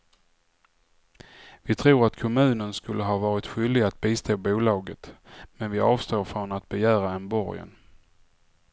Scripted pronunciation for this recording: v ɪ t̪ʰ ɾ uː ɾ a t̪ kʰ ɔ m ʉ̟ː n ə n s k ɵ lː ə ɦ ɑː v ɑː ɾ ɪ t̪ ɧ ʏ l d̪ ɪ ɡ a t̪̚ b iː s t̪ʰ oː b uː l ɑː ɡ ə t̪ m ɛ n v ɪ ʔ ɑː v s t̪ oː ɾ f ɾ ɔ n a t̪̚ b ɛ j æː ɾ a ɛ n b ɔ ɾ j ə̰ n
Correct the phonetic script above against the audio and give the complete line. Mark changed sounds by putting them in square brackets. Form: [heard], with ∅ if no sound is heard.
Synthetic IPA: v ɪ t̪ʰ ɾ uː ɾ a t̪ kʰ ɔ m ʉ̟ː n ə n s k ɵ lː ə ɦ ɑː v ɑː ɾ ɪ t̪ ɧ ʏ l d̪ ɪ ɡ a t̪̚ b iː s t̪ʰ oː b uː l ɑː ɡ ə t̪ m ɛ n v ɪ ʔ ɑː v s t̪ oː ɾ f ɾ ɔ n a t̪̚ b ɛ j æː ɾ a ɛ n b ɔ ɾ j ə̰ n